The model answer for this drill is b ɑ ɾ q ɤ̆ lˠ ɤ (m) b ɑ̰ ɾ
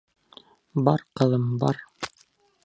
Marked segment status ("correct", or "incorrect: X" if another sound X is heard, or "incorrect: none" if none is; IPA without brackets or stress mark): correct